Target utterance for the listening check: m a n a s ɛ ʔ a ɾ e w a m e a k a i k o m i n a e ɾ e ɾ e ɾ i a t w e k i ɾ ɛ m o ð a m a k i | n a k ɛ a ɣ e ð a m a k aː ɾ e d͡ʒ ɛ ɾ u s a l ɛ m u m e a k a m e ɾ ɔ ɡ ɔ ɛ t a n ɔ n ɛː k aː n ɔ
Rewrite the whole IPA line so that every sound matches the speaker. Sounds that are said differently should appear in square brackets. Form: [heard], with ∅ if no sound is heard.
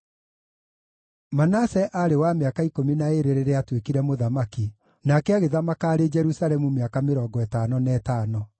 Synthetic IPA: m a n a s ɛ ʔ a ɾ e w a m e a k a i k o m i n a e ɾ e ɾ e ɾ [e] a t w e k i ɾ ɛ m o ð a m a k i | n a k ɛ a ɣ e ð a m a k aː ɾ e d͡ʒ ɛ ɾ u s a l ɛ m u m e a k a m e ɾ ɔ ɡ ɔ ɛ t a n ɔ n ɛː [t] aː n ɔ